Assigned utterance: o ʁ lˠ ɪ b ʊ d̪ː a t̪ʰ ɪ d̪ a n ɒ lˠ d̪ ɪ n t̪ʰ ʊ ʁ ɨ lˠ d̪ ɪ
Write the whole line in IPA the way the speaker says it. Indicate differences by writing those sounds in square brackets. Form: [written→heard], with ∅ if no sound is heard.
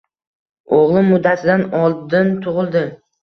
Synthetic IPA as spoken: o ʁ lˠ ɪ [b→m] ʊ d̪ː a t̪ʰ ɪ d̪ a n ɒ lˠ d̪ ɪ n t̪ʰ ʊ ʁ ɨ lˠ d̪ ɪ